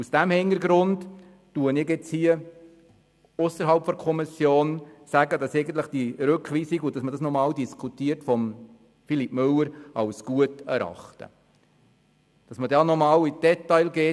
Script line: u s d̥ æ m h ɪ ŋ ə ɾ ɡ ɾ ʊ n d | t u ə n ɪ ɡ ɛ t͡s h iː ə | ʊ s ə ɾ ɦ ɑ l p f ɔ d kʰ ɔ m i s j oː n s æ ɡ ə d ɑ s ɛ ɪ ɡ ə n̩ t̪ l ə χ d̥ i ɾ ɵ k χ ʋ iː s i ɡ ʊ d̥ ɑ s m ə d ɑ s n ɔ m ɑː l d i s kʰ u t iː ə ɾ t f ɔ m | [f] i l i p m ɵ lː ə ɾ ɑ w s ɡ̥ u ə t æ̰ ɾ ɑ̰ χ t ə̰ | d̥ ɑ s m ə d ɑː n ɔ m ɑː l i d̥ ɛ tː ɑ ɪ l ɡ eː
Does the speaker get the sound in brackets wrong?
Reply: no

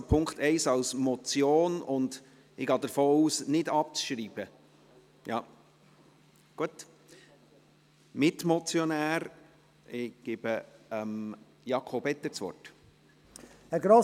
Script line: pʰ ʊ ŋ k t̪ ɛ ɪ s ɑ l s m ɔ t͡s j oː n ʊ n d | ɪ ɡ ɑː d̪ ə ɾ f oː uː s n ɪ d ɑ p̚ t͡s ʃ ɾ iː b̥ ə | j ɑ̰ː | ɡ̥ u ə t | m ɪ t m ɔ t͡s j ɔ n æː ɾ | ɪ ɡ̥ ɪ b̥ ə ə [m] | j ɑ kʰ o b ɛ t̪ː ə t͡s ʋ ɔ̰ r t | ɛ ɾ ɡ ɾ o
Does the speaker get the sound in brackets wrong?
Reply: no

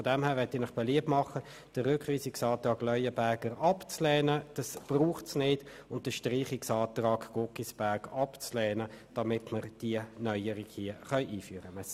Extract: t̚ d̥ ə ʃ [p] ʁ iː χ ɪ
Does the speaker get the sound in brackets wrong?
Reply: yes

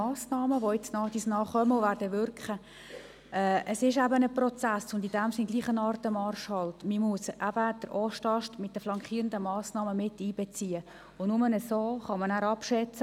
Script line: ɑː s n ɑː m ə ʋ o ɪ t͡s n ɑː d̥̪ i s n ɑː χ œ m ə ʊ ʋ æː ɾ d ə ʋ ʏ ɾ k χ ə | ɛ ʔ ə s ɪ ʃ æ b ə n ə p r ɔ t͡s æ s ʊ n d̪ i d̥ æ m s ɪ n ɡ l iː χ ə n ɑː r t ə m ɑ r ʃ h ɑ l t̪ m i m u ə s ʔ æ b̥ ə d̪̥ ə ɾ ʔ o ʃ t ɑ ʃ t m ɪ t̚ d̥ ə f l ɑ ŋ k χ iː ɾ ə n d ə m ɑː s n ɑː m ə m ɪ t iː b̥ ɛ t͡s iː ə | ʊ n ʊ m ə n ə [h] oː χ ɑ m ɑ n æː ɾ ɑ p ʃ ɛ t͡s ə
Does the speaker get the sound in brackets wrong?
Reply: yes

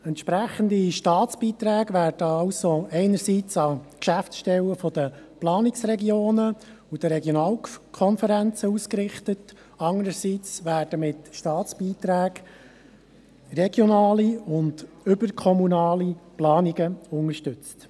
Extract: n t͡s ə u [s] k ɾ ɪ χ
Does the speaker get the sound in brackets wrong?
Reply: no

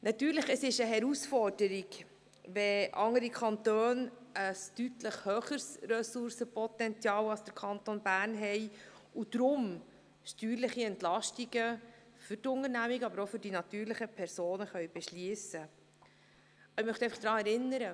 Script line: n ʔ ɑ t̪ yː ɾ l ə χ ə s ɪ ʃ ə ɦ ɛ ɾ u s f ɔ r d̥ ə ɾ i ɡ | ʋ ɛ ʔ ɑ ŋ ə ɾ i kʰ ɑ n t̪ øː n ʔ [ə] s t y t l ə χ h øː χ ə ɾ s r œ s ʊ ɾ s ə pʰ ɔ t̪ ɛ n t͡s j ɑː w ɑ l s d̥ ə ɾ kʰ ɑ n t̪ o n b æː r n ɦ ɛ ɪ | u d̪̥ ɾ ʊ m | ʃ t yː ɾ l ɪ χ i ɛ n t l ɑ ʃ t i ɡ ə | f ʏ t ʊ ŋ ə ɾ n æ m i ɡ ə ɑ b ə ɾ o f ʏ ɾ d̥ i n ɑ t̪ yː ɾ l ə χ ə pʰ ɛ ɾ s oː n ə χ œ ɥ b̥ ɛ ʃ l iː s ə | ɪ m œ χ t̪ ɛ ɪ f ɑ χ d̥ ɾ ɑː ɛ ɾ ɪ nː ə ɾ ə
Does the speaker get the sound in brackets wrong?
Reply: no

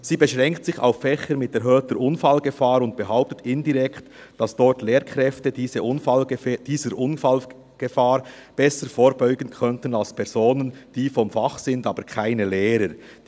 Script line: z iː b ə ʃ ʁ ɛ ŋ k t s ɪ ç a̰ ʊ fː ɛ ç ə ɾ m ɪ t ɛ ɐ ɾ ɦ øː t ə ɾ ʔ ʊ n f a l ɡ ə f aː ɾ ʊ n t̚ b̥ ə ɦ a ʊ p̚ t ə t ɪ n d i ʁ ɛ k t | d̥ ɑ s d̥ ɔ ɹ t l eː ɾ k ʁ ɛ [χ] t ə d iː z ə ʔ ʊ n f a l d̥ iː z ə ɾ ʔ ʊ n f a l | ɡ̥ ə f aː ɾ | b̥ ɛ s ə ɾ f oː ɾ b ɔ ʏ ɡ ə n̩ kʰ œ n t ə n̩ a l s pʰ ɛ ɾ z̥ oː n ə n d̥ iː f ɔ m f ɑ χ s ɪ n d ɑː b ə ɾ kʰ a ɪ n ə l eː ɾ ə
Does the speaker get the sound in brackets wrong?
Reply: yes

